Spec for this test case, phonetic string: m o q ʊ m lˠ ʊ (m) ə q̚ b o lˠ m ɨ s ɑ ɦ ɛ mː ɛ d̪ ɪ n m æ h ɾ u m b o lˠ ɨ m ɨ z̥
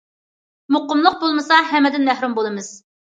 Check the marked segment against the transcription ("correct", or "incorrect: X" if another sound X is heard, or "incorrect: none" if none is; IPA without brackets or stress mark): incorrect: none